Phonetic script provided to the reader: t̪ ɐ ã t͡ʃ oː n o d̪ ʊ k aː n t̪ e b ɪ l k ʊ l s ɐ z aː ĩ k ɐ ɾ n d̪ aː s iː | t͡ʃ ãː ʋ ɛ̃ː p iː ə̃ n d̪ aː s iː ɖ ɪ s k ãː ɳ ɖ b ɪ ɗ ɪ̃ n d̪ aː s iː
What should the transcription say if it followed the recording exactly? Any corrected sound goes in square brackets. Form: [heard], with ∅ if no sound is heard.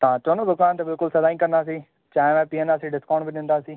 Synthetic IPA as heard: t̪ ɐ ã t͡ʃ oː n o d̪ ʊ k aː n t̪ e b ɪ l k ʊ l s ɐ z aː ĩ k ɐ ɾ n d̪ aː s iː | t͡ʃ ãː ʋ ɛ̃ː p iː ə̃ n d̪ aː s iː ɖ ɪ s k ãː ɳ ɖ b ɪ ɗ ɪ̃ n d̪ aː s iː